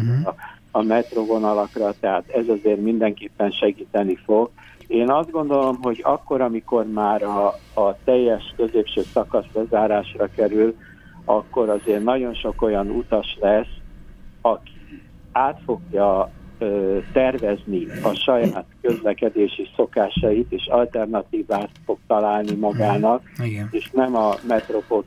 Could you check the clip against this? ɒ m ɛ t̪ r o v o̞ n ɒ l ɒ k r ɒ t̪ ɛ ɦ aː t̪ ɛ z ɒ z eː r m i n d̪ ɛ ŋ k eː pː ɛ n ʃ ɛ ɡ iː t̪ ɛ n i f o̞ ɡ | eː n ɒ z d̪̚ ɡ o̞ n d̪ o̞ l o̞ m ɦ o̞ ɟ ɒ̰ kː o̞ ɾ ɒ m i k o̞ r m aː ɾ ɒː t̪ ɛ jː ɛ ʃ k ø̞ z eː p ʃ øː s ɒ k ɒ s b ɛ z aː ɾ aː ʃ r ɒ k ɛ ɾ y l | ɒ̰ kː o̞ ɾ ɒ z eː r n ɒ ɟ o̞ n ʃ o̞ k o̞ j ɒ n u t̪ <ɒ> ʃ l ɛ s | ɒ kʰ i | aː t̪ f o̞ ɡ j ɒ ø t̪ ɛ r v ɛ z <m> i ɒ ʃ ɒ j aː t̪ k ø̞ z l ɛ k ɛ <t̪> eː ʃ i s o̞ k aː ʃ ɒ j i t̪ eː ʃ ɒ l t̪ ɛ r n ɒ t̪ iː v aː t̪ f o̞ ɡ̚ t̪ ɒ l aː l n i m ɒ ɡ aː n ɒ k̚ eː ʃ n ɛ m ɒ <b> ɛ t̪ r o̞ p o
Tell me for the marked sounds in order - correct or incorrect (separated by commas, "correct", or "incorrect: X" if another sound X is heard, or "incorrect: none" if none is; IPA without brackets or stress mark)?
correct, incorrect: n, incorrect: d̪, incorrect: m